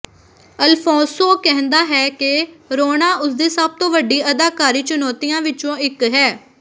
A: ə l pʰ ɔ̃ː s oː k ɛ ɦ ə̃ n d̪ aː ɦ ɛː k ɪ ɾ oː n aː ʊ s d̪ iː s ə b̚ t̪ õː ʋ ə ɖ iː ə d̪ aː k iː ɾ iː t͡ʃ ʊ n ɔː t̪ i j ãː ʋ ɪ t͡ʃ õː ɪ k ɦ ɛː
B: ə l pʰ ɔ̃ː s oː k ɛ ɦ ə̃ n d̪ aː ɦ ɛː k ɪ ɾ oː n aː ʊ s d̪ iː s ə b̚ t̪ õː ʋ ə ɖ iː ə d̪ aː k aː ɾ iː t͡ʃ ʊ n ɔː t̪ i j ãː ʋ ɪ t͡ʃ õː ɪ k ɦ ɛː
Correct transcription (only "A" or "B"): B